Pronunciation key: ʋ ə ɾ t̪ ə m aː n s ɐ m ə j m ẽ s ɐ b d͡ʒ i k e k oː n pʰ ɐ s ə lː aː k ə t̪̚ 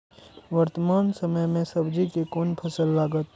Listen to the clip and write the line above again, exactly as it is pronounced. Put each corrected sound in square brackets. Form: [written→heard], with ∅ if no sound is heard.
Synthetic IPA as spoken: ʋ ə ɾ t̪ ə m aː n s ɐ m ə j m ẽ s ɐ b d͡ʒ i k e k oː n pʰ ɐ s ə lː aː [k→ɡ] ə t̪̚